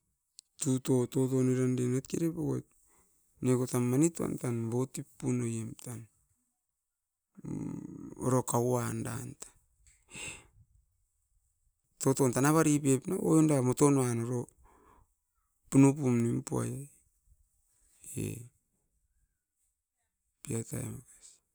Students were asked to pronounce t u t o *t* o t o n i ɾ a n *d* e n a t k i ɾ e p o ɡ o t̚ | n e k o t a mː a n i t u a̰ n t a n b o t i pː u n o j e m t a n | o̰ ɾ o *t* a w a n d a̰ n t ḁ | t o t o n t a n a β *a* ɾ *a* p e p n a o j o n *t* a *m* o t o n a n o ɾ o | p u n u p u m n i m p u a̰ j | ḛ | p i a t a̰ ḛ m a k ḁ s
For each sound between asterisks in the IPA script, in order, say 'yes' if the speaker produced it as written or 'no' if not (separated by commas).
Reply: yes, yes, no, yes, no, no, yes